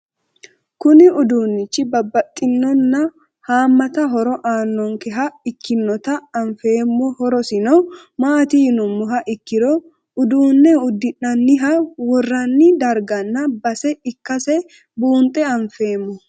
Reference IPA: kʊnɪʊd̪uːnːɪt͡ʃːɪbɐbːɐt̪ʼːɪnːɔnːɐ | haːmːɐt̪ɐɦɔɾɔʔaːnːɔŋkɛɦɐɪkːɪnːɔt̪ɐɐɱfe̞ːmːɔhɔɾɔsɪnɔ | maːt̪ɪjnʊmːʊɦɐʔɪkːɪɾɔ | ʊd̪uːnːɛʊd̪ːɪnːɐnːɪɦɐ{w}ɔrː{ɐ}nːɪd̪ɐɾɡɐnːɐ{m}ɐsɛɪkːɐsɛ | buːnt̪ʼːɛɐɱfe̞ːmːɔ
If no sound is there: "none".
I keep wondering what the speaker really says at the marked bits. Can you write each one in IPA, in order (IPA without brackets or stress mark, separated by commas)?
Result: w, ɐ, b